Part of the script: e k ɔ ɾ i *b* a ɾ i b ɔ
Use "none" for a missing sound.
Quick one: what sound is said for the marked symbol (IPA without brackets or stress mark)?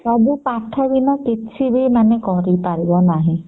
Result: p